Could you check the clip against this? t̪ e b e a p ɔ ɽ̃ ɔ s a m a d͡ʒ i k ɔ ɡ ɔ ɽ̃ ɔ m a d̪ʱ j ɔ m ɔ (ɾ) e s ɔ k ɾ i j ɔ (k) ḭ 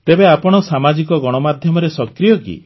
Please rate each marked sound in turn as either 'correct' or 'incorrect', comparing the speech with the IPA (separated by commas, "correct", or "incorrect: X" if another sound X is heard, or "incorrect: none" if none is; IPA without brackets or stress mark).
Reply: correct, correct